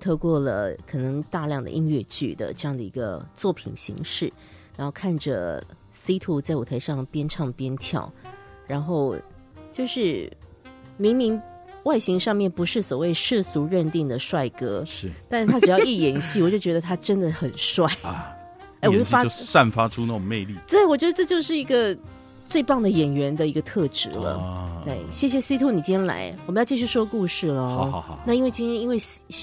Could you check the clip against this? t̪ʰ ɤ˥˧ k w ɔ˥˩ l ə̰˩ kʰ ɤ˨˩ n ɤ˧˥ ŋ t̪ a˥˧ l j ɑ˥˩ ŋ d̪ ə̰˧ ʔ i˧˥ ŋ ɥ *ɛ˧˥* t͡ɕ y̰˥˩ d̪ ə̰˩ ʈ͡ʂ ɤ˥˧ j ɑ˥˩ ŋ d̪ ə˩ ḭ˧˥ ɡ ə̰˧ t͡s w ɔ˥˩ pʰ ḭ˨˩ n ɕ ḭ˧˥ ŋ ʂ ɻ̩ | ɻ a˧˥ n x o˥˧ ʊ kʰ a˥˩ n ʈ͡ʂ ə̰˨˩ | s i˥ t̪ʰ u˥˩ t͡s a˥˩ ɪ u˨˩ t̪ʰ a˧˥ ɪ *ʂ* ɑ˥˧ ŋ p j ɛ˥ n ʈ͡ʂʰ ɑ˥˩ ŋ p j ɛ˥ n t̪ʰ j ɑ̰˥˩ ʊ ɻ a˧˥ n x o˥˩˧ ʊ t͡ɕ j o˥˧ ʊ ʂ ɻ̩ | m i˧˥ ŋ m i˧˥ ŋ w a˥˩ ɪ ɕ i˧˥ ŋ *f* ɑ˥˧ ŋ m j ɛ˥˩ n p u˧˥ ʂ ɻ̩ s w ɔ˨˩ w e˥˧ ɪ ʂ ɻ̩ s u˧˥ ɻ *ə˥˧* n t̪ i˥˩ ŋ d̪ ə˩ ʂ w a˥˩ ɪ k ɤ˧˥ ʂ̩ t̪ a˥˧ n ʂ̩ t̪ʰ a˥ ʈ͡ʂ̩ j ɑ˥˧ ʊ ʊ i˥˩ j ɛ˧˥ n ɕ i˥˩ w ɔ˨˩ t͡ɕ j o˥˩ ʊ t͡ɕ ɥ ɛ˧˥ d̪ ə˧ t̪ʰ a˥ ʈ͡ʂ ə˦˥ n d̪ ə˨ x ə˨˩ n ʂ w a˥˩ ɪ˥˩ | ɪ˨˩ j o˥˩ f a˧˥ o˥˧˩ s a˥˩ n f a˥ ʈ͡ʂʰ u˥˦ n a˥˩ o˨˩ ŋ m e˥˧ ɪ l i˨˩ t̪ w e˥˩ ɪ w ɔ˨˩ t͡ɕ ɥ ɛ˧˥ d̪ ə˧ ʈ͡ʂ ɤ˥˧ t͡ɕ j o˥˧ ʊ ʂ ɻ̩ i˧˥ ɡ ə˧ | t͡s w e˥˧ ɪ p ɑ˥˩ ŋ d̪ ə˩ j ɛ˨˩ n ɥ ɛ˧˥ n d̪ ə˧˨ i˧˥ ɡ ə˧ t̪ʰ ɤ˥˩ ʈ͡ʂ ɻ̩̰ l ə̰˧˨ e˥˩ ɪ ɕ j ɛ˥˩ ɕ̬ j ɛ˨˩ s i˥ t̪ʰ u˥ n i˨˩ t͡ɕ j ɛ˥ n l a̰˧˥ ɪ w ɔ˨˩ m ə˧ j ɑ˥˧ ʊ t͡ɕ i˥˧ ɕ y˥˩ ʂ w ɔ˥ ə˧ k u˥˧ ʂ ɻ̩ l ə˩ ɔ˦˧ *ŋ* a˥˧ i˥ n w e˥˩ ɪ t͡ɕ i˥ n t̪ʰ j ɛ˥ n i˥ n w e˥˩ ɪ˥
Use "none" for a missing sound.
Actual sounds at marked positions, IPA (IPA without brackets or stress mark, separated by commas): ɛ˥˧, ʂ, ʂ, ə˥˧, n